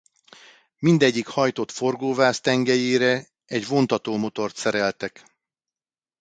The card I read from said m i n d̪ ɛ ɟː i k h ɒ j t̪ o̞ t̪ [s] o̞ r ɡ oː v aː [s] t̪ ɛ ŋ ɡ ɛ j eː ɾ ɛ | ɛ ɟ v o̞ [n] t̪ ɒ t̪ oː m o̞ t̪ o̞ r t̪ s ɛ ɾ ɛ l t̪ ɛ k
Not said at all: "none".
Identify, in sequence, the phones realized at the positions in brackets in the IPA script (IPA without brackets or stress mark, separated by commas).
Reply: f, s, n